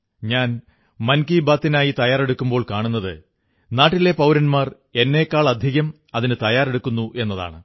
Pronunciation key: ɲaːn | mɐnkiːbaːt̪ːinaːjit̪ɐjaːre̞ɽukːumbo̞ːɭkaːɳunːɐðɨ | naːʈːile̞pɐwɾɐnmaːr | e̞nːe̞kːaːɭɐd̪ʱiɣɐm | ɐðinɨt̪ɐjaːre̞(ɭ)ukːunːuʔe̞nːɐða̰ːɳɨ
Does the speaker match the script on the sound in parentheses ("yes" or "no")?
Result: no